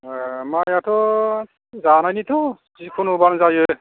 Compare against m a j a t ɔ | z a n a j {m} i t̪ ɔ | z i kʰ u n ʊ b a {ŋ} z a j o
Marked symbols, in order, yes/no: no, no

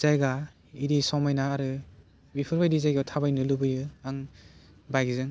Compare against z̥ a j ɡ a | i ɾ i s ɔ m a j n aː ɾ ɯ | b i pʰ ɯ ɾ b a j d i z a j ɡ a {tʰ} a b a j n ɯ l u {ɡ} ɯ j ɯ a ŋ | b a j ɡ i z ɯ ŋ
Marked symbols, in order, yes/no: yes, no

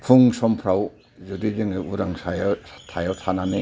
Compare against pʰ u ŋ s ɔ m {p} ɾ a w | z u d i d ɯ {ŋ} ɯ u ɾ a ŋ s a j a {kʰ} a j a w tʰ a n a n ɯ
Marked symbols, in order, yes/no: no, yes, no

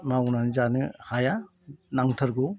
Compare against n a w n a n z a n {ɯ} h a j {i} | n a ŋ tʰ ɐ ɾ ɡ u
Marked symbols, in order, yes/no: yes, no

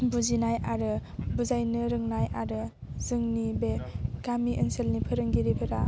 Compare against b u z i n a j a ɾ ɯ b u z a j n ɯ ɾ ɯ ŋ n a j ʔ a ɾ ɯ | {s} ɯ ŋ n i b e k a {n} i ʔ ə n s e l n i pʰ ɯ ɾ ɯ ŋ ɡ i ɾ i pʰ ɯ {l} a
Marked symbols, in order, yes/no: no, no, no

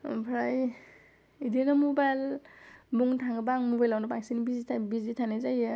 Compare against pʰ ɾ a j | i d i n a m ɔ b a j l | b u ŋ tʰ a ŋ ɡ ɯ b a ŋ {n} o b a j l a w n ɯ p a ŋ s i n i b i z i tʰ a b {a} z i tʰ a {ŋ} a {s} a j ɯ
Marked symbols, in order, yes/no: no, no, no, no

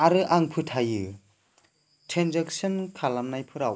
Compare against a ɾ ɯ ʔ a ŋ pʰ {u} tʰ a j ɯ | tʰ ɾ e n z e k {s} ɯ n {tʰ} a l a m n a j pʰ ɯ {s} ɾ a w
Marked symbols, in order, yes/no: no, yes, no, no

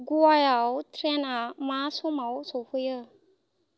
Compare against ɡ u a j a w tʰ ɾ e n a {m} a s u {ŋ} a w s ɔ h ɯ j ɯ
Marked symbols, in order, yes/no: yes, no

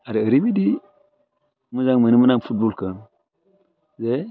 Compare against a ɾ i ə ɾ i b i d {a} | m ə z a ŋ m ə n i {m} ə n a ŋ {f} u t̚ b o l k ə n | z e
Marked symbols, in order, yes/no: no, yes, yes

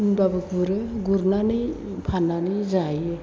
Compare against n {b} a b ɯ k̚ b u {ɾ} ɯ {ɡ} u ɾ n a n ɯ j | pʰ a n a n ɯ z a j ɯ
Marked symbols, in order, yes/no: yes, yes, yes

